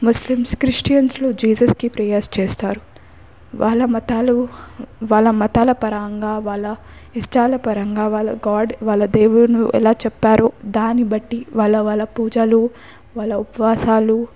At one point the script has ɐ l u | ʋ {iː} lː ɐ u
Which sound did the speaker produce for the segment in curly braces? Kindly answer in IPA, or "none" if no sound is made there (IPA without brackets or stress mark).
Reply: aː